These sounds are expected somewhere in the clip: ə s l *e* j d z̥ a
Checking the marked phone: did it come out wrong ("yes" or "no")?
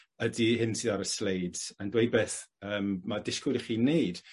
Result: no